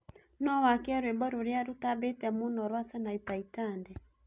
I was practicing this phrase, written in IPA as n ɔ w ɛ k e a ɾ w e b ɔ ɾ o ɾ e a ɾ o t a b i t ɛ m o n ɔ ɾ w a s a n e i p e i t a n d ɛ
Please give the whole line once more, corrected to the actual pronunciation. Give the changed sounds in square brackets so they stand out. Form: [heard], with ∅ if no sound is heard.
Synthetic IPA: n ɔ w [a] k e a ɾ w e b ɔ ɾ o ɾ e a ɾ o t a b [e] t ɛ m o n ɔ ɾ w a s a n [a] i p [a] i t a n d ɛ

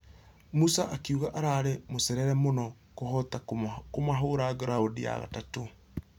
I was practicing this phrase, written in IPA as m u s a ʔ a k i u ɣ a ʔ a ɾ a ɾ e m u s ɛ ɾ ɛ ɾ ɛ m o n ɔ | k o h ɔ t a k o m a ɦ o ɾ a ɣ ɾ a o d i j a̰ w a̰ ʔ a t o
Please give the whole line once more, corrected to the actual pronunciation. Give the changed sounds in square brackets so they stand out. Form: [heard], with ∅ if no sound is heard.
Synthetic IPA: m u s a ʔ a k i u ɣ a ʔ a ɾ a ɾ e m [o] s ɛ ɾ ɛ ɾ ɛ m o n ɔ | k o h ɔ t a k o m a ɦ o ɾ a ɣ ɾ a o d i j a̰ [ɣ] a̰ [t] a t o

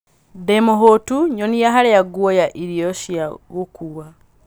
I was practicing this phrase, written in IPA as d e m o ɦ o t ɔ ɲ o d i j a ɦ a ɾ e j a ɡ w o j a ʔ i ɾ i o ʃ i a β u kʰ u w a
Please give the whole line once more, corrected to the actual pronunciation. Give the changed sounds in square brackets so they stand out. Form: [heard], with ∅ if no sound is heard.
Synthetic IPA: d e m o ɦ o t [u] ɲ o [n] i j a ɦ a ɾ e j a ɡ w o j a ʔ i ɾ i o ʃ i a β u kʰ u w a

